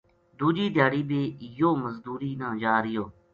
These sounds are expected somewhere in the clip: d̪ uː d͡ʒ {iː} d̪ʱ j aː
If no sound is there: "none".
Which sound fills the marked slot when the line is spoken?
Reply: iː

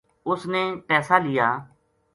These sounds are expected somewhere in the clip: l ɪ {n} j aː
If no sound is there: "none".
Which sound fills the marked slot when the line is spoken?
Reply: none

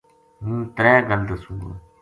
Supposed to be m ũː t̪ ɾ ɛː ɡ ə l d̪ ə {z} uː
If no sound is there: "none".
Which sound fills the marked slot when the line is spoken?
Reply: s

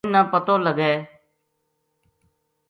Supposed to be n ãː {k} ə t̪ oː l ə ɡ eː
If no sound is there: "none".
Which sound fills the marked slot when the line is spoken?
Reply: p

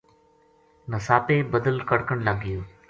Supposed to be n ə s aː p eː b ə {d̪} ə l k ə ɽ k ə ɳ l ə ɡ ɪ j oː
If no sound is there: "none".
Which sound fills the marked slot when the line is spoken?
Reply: d̪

